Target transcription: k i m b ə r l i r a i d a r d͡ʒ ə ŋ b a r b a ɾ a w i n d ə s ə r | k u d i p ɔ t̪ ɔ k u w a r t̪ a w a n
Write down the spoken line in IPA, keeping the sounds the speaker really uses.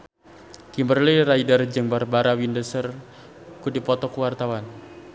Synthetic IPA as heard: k i m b ə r l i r a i d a r d͡ʒ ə ŋ b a r b a ɾ a w i n d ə s ə r | k u d i p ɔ t̪ ɔ k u w a r t̪ a w a n